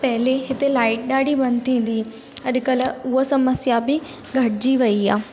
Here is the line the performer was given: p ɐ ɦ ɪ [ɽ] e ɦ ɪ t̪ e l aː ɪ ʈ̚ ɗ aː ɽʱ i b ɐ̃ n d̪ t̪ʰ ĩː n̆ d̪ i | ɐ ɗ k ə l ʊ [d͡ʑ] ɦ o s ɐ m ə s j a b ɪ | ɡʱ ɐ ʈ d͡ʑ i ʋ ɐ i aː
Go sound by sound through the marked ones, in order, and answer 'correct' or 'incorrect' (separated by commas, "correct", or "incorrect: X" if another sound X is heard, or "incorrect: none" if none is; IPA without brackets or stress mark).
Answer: incorrect: l, incorrect: none